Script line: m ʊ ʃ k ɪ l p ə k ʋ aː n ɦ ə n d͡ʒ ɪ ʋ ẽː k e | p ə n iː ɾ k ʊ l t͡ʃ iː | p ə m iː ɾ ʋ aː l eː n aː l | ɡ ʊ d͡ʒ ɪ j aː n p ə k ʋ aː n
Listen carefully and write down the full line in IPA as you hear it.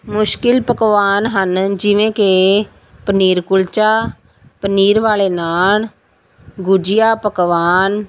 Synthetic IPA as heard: m ʊ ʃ k ɪ l p ə k ʋ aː n ɦ ə n d͡ʒ ɪ ʋ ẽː k e | p ə n iː ɾ k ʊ l t͡ʃ aː | p ə n iː ɾ ʋ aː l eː n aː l | ɡ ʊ d͡ʒ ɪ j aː p ə k ʋ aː n

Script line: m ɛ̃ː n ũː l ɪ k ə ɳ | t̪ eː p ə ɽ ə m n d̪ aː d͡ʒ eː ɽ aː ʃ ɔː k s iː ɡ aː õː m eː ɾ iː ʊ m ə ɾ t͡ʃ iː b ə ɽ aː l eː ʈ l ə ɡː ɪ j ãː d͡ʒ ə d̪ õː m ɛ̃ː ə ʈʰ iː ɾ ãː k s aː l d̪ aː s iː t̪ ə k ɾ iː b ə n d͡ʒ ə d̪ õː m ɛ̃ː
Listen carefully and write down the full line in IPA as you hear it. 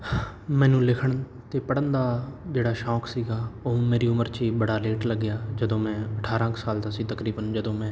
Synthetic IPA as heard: m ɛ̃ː n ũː l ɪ kʰ ə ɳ | t̪ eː p ə ɽ ə n d̪ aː d͡ʒ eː ɽ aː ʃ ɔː k s iː ɡ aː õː m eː ɾ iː ʊ m ə ɾ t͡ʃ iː b ə ɽ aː l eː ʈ l ə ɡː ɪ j aː d͡ʒ ə d̪ õː m ɛ̃ː ə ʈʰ aː ɾ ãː k s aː l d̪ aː s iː t̪ ə k ɾ iː b ə n d͡ʒ ə d̪ õː m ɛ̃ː

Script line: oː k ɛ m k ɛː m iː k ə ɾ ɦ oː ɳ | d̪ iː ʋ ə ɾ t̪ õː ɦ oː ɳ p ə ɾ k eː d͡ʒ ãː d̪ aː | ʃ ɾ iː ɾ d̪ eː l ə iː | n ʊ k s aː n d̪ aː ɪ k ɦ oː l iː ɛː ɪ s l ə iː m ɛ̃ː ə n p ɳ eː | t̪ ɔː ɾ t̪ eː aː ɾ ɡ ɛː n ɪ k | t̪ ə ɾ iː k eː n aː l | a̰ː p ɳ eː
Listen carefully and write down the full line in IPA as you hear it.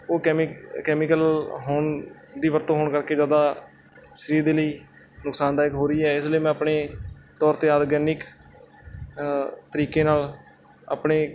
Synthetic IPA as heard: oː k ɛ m k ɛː m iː k ə l ɦ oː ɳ | d̪ iː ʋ ə ɾ t̪ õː ɦ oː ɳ k ə ɾ k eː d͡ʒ aː d̪ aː | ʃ ɾ iː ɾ d̪ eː l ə iː | n ʊ k s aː n d̪ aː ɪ k ɦ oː ɾ iː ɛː ɪ s l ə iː m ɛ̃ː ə p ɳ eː | t̪ ɔː ɾ t̪ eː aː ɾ ɡ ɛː n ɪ k | t̪ ə ɾ iː k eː n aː l | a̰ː p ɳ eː

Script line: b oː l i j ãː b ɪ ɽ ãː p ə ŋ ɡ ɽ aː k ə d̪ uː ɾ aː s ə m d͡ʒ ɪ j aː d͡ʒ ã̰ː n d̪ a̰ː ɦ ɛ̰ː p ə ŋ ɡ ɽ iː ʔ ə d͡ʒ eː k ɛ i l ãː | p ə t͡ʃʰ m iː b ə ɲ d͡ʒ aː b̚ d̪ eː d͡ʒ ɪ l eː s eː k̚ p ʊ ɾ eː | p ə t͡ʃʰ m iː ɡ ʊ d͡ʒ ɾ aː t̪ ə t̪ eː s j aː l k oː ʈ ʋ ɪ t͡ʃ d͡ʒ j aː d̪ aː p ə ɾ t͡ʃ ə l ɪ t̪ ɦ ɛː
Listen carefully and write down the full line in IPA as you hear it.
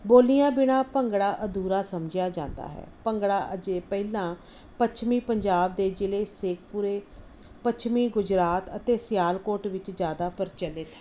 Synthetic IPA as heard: b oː l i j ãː b ɪ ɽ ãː p ə ŋ ɡ ɽ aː ʔ ə d̪ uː ɾ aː s ə m d͡ʒ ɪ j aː d͡ʒ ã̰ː n d̪ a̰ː ɦ ɛ̰ː p ə ŋ ɡ ɽ aː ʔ ə d͡ʒ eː p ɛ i l ãː | p ə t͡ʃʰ m iː p ə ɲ d͡ʒ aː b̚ d̪ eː d͡ʒ ɪ l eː s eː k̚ p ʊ ɾ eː | p ə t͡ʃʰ m iː ɡ ʊ d͡ʒ ɾ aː t̪ ə t̪ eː s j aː l k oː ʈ ʋ ɪ t͡ʃ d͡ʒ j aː d̪ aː p ə ɾ t͡ʃ ə l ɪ t̪ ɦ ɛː

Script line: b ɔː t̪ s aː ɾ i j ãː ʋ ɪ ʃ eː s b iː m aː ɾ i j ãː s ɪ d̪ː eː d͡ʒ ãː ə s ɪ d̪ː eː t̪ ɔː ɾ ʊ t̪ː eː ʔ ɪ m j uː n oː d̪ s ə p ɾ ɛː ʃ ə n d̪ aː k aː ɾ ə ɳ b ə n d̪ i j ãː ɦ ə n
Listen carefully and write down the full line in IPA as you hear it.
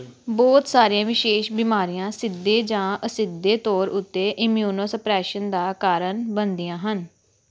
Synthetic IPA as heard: b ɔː t̪ s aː ɾ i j ãː ʋ ɪ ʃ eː ʃ b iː m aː ɾ i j ãː s ɪ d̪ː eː d͡ʒ ãː ə s ɪ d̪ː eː t̪ ɔː ɾ ʊ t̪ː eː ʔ ɪ m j uː n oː s ə p ɾ ɛː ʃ ə n d̪ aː k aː ɾ ə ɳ b ə n d̪ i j ãː ɦ ə n

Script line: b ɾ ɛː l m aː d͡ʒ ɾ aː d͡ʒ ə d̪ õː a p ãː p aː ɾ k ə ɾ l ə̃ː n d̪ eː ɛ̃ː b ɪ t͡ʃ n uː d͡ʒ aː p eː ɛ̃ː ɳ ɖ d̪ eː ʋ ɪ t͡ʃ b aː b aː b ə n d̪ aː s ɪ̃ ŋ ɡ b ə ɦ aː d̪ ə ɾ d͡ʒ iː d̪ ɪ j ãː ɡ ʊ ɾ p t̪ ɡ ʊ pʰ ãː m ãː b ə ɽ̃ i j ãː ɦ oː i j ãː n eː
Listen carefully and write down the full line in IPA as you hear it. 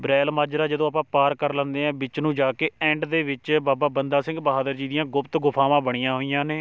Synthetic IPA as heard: b ɾ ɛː l m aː d͡ʒ ɾ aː d͡ʒ ə d̪ õː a p ãː p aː ɾ k ə ɾ l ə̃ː n d̪ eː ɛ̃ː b ɪ t͡ʃ n ũː d͡ʒ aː k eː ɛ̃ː ɳ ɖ d̪ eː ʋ ɪ t͡ʃ b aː b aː b ə n d̪ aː s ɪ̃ ŋ ɡ b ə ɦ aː d̪ ə ɾ d͡ʒ iː d̪ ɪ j ãː ɡ ʊ p t̪ ɡ ʊ pʰ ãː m ãː b ə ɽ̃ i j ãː ɦ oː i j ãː n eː

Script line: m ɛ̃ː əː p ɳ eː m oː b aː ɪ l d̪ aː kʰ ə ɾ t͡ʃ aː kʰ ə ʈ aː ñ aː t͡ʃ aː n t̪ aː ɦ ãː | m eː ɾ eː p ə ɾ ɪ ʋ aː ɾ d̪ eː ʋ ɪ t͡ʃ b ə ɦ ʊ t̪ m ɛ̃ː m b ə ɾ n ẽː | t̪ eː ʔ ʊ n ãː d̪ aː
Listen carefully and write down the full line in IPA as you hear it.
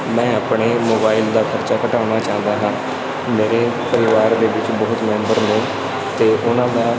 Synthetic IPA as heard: m ɛ̃ː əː p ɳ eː m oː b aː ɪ l d̪ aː kʰ ə ɾ t͡ʃ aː k ə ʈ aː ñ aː t͡ʃ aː n d̪ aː ɦ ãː | m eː ɾ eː p ə ɾ ɪ ʋ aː ɾ d̪ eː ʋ ɪ t͡ʃ b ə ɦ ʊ t̪ m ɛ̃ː m b ə ɾ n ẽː | t̪ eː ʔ ʊ n ãː d̪ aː

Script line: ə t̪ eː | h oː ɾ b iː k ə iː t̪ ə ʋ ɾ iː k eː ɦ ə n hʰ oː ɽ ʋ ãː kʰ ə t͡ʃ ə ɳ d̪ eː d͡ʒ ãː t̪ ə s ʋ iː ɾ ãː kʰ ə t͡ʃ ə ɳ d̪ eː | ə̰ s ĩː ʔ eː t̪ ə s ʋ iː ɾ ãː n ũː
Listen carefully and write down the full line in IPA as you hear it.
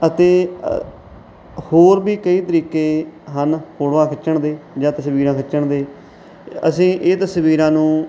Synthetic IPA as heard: ə t̪ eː | h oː ɾ b iː k ə iː t̪ ə ɾ iː k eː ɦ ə n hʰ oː ɽ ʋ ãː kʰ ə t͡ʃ ə ɳ d̪ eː d͡ʒ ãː t̪ ə s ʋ iː ɾ ãː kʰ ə t͡ʃ ə ɳ d̪ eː | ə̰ s ĩː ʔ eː t̪ ə s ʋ iː ɾ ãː n ũː

